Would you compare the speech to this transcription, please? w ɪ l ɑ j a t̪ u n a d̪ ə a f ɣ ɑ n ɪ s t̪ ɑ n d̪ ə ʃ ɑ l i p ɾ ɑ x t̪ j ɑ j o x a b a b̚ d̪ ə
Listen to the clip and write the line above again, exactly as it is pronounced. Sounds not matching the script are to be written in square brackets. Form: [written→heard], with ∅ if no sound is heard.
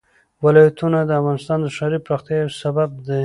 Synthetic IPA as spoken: w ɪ l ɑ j a t̪ u n a d̪ ə a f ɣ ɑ n ɪ s t̪ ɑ n d̪ ə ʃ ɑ [l→ɾ] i p ɾ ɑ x t̪ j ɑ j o [x→s] a b a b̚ d̪ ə